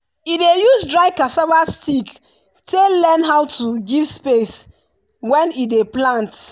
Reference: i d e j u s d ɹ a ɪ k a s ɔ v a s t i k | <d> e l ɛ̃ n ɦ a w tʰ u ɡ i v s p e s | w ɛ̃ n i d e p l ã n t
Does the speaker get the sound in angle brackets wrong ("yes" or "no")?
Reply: yes